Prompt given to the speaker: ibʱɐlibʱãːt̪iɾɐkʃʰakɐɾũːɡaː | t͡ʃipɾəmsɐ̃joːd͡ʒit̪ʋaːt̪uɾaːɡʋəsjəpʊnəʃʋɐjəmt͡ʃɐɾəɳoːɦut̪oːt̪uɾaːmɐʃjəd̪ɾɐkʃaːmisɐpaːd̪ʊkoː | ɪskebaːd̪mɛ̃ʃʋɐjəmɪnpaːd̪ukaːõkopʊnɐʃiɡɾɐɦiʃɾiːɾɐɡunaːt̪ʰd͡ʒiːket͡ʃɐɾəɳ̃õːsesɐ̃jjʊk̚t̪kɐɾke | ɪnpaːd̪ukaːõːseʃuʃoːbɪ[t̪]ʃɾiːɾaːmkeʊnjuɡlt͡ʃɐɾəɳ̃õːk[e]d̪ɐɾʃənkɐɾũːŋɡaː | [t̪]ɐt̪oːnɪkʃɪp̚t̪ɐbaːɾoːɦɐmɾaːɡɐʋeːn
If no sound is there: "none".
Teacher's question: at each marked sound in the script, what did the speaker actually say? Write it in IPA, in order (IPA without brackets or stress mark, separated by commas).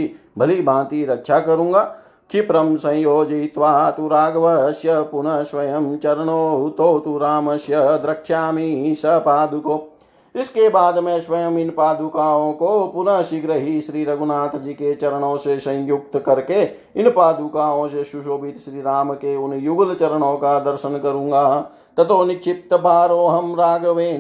t̪, a, t̪